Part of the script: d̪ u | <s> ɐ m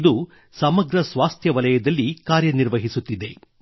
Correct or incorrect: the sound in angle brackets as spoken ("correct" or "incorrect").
correct